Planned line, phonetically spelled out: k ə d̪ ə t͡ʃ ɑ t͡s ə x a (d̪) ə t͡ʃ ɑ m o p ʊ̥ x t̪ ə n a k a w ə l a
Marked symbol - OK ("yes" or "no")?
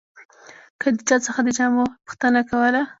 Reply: yes